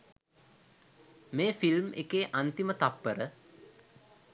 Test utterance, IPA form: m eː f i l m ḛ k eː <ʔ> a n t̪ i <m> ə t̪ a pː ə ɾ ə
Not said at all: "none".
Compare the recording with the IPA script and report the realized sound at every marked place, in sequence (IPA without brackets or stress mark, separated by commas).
ʔ, m